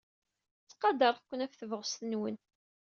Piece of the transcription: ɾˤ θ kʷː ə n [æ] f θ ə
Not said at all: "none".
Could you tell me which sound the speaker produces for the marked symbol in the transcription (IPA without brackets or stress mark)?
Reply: æ